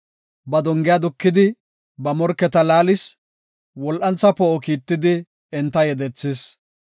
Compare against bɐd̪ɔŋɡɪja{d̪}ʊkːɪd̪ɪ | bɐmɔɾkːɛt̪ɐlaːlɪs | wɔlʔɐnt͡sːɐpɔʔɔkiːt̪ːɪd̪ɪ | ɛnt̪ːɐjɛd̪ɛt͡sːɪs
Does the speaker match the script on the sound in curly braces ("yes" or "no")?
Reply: yes